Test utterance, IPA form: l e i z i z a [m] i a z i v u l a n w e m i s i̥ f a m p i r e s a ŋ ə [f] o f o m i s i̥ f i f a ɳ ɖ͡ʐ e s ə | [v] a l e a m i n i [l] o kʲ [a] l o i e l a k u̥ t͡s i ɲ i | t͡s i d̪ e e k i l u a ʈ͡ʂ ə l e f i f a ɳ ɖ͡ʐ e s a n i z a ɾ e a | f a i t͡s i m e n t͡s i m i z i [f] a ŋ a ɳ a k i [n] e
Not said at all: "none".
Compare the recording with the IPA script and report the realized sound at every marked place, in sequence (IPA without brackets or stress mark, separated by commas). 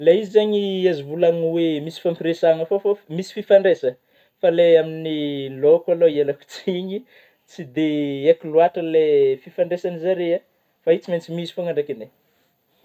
ɲ, f, f, l, a, f, n